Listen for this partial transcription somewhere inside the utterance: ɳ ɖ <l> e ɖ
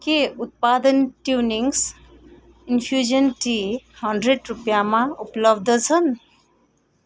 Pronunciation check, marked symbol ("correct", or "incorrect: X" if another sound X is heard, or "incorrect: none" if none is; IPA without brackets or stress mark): incorrect: ɾ